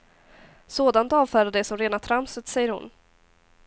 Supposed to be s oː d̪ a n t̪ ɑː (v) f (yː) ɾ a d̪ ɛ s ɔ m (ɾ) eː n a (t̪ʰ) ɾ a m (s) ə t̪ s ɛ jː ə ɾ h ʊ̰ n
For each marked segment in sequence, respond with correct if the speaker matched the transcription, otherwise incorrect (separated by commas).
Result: correct, incorrect, correct, correct, correct